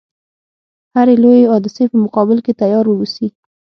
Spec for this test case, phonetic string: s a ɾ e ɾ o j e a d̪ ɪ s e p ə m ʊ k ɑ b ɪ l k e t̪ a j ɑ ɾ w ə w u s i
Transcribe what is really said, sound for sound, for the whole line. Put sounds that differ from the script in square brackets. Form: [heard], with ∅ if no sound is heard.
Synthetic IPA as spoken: [h] a ɾ e [l] o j e [ɑ] d̪ ɪ s e p ə m ʊ [q] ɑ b ɪ l k e t̪ a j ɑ ɾ w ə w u s i